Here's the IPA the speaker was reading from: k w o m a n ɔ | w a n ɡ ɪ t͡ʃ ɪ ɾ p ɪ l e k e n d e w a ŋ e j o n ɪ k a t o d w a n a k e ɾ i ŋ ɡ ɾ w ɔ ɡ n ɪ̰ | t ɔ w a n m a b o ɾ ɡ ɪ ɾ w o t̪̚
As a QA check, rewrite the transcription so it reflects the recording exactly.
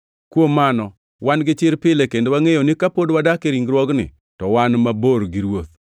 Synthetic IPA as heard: k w o m a n ɔ | w a n ɡ ɪ t͡ʃ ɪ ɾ p ɪ l e k e n d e w a ŋ e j o n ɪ k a p o d w a d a k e ɾ i ŋ ɡ ɾ w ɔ ɡ n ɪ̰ | t ɔ w a n m a b o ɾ ɡ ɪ ɾ w o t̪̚